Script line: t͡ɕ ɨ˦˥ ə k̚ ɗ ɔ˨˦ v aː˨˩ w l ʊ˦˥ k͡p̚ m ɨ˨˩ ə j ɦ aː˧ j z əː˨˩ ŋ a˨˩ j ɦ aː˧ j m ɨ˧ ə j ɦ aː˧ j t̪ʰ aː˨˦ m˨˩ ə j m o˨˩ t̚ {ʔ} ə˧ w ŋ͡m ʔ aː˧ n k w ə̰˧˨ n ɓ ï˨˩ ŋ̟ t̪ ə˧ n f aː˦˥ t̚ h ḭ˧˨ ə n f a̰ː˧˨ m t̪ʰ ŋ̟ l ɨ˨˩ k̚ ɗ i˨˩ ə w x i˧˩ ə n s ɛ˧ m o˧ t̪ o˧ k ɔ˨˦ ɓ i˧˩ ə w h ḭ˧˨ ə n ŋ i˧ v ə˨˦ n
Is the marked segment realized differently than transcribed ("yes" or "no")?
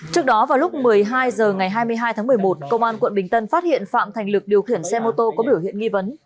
yes